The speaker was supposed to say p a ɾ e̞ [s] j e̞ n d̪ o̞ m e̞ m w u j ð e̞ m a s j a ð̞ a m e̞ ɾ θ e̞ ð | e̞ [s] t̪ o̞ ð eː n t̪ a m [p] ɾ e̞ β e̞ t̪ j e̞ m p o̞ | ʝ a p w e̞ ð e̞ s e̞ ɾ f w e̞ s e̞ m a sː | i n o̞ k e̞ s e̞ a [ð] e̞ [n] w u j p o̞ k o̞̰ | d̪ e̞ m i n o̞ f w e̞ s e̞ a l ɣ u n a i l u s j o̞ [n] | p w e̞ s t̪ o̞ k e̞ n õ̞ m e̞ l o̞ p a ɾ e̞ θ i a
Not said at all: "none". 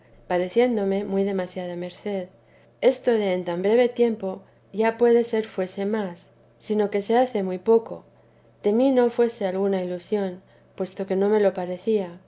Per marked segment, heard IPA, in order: θ, s, b, θ, m, n

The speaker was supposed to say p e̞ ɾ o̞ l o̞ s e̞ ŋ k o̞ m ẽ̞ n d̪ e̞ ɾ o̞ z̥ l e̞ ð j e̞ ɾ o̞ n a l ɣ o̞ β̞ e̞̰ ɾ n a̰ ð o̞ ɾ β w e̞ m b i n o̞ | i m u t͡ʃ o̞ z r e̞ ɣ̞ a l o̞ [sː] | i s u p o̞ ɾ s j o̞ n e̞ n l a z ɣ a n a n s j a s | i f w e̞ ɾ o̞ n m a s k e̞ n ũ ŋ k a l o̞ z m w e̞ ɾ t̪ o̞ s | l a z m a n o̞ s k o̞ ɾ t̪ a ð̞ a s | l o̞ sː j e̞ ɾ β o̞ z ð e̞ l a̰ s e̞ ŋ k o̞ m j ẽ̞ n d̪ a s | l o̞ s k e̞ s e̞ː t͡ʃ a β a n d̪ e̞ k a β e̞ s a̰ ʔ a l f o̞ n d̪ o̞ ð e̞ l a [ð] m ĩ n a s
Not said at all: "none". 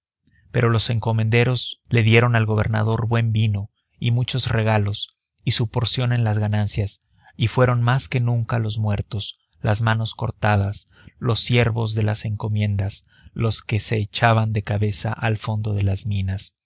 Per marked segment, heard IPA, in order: s, z

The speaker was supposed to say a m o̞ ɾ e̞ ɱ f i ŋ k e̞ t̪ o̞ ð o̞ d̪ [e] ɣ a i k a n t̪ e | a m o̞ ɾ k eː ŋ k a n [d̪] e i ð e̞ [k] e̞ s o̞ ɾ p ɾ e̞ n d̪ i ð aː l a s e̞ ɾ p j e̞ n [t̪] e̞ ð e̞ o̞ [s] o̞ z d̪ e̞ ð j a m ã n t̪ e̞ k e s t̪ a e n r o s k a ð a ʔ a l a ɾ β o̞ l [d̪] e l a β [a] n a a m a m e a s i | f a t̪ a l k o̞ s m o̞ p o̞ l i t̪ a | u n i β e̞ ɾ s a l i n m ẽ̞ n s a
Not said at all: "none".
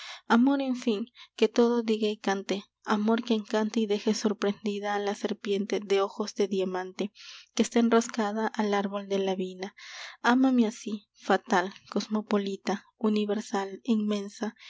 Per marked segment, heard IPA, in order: i, t̪, x, t̪, x, d̪, i

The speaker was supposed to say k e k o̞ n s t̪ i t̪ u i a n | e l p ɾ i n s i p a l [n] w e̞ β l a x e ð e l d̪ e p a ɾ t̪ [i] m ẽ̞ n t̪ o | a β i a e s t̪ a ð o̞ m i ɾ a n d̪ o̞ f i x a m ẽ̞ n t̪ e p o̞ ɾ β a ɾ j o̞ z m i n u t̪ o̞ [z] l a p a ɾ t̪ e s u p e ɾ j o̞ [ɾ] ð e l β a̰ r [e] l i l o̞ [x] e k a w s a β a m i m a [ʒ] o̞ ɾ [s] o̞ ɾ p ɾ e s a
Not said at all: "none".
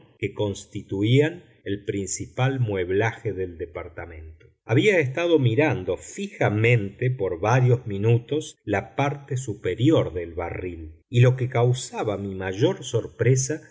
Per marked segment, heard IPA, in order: m, a, s, ɾ, i, k, ʒ, s

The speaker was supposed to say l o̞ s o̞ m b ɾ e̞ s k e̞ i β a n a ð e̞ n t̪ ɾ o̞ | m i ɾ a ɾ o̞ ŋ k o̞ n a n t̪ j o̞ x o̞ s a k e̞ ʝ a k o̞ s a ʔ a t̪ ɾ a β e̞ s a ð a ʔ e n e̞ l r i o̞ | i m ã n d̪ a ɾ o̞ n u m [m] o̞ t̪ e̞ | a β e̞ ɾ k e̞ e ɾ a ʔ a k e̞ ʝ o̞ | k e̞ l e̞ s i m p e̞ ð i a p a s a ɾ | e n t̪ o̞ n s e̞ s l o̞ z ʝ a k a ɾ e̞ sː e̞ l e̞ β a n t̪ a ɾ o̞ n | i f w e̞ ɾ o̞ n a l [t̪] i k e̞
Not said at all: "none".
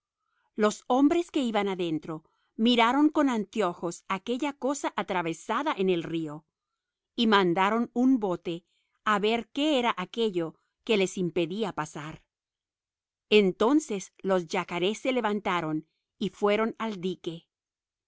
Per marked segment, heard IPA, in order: b, d̪

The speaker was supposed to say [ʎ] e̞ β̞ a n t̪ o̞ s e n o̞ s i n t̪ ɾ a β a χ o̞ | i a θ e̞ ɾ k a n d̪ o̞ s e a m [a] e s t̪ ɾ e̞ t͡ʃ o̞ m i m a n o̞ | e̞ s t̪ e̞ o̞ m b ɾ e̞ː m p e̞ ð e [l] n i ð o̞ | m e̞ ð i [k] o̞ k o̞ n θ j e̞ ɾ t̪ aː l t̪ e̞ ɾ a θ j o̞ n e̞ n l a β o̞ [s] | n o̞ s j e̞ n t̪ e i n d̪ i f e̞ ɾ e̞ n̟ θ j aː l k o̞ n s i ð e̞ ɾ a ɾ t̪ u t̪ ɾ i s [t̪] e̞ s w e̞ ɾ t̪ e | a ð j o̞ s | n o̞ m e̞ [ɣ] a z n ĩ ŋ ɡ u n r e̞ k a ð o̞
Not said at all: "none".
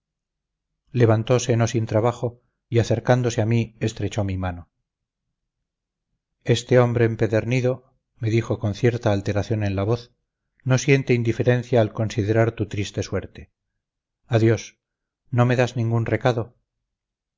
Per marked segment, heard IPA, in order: l, i, ɾ, x, θ, t̪, ð

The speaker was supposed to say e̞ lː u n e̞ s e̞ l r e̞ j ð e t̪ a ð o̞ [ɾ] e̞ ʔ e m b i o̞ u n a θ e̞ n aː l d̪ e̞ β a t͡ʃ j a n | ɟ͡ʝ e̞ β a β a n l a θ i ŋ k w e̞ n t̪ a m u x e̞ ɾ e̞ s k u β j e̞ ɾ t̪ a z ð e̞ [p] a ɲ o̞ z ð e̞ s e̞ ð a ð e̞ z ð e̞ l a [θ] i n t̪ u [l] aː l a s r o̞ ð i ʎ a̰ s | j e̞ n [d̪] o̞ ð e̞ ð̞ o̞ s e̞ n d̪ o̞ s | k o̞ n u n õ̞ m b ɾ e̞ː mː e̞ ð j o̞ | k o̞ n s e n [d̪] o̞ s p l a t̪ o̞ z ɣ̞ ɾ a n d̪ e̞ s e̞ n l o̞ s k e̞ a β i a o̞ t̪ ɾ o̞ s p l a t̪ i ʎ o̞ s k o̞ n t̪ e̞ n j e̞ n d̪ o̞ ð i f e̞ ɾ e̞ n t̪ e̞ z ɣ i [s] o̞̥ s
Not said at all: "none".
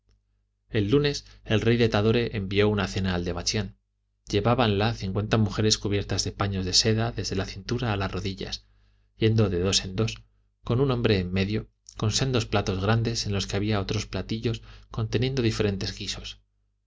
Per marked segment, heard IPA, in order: ɾ, p, θ, ɾ, d̪, d̪, s

